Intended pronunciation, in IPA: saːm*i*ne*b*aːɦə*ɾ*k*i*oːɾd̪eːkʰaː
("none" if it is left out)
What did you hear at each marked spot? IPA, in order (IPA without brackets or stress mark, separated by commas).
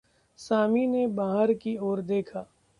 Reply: i, b, ɾ, i